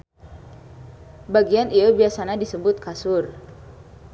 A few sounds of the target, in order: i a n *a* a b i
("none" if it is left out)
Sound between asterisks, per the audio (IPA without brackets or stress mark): i